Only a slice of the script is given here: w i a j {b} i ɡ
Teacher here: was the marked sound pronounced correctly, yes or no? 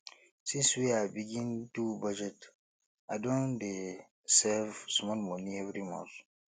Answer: yes